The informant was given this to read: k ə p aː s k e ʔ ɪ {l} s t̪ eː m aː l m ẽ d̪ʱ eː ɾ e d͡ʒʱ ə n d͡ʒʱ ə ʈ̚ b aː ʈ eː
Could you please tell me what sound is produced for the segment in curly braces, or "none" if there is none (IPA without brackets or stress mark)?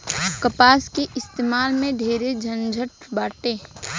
none